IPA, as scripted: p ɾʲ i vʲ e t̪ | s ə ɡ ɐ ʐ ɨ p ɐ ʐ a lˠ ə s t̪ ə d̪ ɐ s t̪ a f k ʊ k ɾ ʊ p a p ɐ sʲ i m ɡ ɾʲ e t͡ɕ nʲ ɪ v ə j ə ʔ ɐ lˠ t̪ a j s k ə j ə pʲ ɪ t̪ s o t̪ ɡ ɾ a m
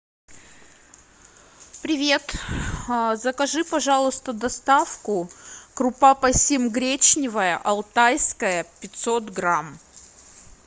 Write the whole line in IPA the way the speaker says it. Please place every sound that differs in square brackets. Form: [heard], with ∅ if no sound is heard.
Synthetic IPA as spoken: p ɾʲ [ɪ] vʲ e t̪ | [z] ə [k] ɐ ʐ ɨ p ɐ ʐ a lˠ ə s t̪ ə d̪ ɐ s t̪ a f k ʊ k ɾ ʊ p a p ɐ sʲ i m ɡ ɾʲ e t͡ɕ nʲ ɪ v ə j ə ʔ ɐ lˠ t̪ a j s k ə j ə pʲ ɪ t̪ s o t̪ ɡ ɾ a m